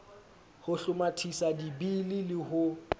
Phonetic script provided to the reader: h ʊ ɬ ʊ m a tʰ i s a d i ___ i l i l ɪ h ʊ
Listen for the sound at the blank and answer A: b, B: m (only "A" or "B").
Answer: A